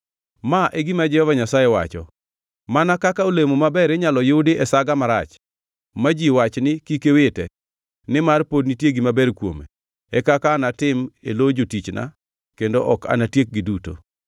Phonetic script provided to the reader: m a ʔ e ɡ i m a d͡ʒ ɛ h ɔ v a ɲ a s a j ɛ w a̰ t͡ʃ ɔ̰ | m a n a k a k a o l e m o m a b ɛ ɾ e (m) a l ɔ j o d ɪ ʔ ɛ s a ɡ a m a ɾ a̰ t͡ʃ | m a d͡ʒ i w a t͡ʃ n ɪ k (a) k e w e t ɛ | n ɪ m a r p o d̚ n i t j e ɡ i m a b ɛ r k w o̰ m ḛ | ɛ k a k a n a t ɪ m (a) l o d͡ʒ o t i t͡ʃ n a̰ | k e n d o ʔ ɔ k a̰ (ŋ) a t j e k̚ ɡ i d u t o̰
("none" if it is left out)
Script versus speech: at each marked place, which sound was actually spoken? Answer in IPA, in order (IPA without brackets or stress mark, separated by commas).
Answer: ɲ, i, e, n